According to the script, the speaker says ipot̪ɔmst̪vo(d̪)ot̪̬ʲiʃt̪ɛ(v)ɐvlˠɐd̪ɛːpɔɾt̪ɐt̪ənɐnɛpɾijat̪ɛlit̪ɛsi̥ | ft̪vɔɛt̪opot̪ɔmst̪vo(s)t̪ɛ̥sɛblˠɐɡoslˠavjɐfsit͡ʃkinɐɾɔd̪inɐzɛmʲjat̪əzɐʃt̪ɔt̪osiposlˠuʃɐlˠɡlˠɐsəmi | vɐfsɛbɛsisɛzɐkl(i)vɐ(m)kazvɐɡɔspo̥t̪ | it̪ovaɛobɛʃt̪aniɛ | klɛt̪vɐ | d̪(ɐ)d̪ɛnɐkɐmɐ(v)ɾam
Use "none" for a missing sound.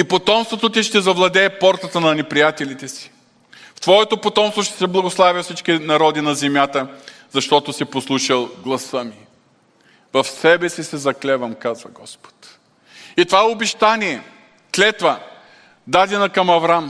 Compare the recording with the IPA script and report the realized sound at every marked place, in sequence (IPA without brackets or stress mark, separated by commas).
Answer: t̪, z, ʃ, ɛ, m, a, v